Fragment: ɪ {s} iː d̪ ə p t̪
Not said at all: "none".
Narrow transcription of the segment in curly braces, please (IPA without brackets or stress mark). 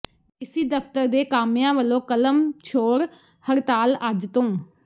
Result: s